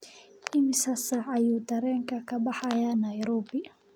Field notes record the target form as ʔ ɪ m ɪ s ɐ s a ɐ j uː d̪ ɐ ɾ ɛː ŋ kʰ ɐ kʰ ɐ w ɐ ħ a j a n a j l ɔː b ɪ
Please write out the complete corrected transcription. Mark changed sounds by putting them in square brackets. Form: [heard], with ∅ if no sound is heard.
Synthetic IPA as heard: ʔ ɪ m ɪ s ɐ s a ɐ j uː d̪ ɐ ɾ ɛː ŋ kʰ ɐ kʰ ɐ [b] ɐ ħ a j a n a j [ɾ] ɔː b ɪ

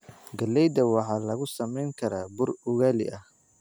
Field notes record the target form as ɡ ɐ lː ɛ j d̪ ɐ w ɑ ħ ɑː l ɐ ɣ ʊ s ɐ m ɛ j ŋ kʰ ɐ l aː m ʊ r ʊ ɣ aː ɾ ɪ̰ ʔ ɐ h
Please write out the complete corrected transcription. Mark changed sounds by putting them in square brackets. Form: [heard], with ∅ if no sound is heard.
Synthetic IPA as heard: ɡ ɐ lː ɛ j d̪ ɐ w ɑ ħ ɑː l ɐ ɣ ʊ s ɐ m ɛ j ŋ kʰ ɐ [ɾ] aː [b] ʊ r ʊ ɣ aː [l] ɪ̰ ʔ ɐ h

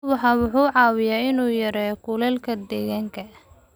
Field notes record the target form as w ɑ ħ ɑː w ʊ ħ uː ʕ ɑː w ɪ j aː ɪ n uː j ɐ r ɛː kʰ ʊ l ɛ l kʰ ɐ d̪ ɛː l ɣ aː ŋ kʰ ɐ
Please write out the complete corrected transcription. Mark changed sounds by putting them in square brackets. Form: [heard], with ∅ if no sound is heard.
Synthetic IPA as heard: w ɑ ħ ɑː w ʊ ħ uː ʕ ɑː w ɪ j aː ɪ n uː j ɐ [ɾ] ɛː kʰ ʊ l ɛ l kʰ ɐ d̪ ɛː [∅] ɣ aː ŋ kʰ ɐ

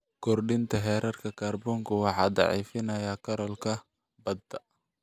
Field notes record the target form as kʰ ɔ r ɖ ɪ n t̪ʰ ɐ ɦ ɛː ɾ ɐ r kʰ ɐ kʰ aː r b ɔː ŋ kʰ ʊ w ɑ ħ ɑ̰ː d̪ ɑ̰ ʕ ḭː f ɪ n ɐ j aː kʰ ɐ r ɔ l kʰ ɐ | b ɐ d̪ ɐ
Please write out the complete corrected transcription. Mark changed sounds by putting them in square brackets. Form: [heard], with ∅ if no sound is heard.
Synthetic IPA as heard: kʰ ɔ r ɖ ɪ n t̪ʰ ɐ ɦ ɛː ɾ ɐ r kʰ ɐ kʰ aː r b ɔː ŋ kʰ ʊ w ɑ ħ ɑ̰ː d̪ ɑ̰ ʕ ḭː f ɪ n ɐ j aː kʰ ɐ [ɾ] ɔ l kʰ ɐ | b ɐ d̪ ɐ

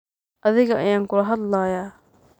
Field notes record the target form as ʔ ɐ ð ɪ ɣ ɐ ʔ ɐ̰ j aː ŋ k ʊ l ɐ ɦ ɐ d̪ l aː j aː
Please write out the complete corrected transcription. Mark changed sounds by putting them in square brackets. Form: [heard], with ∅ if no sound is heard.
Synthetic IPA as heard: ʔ ɐ ð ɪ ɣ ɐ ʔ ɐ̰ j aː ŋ k ʊ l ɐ ɦ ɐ d̪ l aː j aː

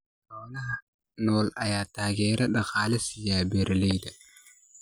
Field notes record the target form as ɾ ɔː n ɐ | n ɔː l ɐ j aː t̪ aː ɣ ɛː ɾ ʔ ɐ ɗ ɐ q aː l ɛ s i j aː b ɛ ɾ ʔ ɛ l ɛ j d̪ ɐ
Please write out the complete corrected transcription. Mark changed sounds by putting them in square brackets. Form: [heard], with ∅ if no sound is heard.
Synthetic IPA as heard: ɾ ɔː n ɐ | n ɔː l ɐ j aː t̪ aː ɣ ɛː ɾ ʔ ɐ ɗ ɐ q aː l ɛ s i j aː b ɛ ɾ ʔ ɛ l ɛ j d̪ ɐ

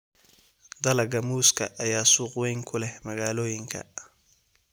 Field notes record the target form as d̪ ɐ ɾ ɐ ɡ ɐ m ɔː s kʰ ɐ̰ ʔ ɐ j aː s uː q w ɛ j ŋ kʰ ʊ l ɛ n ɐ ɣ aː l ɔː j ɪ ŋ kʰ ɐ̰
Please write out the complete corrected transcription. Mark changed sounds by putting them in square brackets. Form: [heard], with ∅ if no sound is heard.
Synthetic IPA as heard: d̪ ɐ [l] ɐ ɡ ɐ m [uː] s kʰ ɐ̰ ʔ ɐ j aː s uː q w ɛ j ŋ kʰ ʊ l ɛ [m] ɐ ɣ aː l ɔː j ɪ ŋ kʰ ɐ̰

